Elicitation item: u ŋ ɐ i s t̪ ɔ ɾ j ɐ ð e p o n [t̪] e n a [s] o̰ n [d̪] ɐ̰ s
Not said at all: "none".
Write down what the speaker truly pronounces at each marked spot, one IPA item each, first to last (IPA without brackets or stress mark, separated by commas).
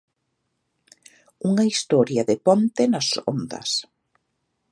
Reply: t̪, s, d̪